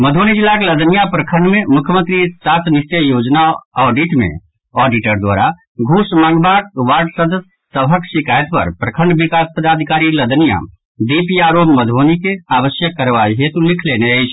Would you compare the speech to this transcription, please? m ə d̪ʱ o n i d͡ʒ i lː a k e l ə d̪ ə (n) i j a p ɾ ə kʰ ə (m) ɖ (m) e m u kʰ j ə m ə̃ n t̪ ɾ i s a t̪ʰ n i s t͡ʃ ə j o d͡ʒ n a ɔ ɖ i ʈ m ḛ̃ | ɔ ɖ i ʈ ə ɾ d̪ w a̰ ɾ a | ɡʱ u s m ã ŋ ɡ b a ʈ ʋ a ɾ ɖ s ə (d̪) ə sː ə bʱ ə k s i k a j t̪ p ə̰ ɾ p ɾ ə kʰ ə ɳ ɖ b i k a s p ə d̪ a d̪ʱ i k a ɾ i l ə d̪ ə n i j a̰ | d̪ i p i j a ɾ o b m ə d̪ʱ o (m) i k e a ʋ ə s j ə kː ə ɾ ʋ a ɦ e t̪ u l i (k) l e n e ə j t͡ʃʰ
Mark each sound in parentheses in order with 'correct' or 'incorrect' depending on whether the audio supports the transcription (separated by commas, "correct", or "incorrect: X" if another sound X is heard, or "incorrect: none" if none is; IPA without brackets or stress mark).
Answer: correct, incorrect: ɳ, correct, correct, incorrect: n, incorrect: kʰ